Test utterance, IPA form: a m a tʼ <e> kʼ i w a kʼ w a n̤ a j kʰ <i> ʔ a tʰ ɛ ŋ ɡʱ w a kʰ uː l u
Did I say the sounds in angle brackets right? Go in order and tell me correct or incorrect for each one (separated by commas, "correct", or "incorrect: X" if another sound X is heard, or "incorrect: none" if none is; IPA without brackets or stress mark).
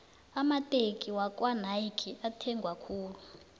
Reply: correct, correct